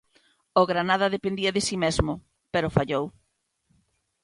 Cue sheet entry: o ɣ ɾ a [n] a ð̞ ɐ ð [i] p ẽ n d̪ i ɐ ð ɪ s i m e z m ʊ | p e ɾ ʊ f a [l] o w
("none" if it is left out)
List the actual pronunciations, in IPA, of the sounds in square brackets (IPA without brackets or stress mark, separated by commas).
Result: n, e, ʎ